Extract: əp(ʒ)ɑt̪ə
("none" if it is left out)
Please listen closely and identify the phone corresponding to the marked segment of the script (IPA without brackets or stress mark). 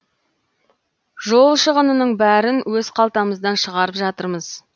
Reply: ʒ